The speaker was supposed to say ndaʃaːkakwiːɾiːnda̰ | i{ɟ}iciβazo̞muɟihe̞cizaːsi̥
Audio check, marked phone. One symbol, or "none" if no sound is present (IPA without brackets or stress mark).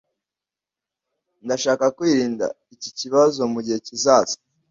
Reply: c